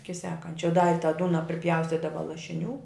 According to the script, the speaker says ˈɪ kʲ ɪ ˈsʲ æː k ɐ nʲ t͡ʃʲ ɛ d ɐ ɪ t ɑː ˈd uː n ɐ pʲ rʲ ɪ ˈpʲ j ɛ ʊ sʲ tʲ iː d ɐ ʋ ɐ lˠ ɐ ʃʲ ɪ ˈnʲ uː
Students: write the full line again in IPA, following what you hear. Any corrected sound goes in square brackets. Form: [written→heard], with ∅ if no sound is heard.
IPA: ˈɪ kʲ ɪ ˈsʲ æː k ɐ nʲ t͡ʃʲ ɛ d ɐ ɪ t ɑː ˈd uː n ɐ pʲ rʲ ɪ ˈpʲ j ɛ ʊ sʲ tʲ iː d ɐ ʋ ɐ lˠ ɐ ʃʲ ɪ ˈnʲ uː